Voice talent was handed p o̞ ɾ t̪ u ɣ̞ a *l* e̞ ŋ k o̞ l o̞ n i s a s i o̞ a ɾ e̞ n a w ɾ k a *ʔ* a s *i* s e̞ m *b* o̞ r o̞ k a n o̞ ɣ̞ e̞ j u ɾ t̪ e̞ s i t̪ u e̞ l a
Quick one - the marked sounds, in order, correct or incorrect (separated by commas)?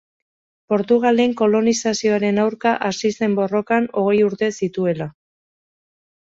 correct, correct, correct, correct